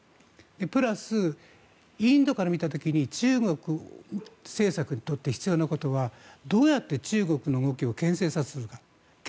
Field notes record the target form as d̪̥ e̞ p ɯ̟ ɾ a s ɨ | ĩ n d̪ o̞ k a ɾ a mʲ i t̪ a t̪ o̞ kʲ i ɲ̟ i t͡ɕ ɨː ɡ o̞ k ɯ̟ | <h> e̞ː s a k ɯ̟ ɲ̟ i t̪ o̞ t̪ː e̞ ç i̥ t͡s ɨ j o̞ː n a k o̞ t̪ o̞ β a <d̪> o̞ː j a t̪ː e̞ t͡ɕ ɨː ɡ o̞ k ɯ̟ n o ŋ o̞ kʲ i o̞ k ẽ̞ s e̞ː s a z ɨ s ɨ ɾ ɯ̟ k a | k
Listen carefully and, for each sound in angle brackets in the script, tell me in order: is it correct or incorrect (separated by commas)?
incorrect, correct